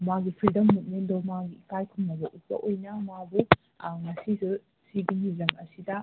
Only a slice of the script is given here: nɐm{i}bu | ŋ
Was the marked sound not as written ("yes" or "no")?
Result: yes